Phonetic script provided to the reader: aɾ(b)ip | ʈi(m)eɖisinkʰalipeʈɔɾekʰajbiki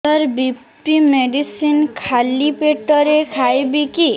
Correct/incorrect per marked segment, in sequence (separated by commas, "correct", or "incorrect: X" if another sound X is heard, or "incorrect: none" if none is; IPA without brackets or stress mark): correct, correct